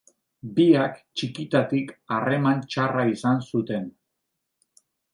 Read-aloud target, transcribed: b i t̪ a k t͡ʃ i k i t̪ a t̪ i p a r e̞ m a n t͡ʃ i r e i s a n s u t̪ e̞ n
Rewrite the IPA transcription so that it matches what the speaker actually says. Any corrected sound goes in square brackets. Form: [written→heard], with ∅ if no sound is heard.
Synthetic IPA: b i [t̪→∅] a k t͡ʃ i k i t̪ a t̪ i [p→k] a r e̞ m a n t͡ʃ [i→a] r [e→a] i s a n s u t̪ e̞ n